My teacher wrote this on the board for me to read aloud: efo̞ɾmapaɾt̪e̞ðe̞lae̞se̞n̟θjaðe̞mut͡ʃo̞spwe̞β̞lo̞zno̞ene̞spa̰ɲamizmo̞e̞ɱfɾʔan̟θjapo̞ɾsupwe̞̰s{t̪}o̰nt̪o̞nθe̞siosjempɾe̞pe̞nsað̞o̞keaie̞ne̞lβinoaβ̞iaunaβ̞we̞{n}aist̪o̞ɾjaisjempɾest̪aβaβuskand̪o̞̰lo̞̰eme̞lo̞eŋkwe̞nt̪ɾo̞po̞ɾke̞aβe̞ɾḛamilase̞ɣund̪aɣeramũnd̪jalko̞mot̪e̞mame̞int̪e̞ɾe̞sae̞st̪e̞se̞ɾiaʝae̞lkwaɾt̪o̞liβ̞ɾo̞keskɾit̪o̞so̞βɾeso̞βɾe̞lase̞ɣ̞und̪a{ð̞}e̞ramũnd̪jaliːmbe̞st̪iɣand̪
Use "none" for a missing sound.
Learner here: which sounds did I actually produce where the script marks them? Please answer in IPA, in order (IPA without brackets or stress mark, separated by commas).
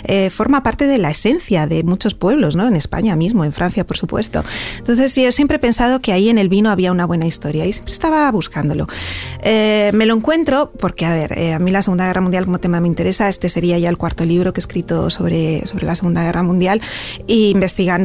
t̪, n, ɣ̞